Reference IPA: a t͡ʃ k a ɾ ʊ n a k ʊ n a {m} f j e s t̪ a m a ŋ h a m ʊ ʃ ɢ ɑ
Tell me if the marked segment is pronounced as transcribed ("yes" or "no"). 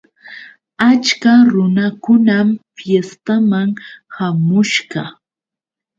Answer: yes